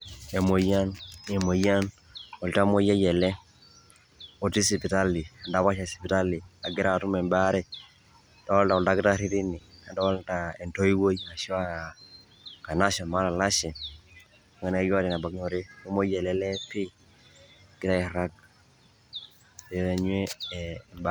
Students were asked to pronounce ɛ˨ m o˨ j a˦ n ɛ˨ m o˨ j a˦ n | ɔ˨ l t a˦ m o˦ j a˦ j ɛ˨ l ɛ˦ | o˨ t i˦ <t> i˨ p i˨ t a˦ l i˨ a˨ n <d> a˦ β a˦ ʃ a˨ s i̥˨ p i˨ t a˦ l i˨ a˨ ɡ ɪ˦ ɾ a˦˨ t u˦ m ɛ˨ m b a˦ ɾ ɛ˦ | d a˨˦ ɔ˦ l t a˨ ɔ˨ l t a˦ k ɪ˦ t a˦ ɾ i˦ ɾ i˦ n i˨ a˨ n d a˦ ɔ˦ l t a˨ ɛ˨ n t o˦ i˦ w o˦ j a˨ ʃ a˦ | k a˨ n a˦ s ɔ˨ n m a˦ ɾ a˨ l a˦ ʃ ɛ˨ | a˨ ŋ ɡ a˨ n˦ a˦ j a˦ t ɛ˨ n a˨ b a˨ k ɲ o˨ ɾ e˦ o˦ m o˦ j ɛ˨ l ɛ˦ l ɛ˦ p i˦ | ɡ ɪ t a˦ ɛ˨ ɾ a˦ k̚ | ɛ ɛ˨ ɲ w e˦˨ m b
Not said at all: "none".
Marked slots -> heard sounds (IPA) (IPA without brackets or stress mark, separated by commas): s, d